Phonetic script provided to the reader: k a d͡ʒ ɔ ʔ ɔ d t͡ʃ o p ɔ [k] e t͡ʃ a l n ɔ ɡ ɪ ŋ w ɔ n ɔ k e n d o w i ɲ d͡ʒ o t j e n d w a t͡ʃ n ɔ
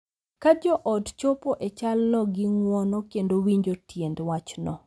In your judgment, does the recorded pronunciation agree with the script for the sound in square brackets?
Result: no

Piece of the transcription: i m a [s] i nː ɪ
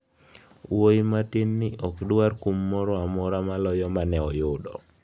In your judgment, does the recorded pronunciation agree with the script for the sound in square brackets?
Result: no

